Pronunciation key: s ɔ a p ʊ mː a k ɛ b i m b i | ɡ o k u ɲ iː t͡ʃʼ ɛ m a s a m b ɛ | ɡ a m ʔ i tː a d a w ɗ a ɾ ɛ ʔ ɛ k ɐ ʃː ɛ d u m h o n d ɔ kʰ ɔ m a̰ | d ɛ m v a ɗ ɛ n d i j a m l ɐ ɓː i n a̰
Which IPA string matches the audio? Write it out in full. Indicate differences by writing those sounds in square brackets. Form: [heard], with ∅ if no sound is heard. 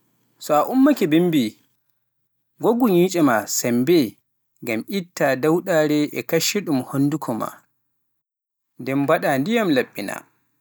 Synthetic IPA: s ɔ a [ʔ] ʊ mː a k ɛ b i m b i | ɡ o [ɡ] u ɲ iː t͡ʃʼ ɛ m a s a m b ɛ | ɡ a m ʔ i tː a d a w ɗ a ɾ ɛ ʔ ɛ k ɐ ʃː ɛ [ɗ] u m h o n d [u] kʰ ɔ m a̰ | d ɛ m [b] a ɗ [a] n d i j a m l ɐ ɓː i n a̰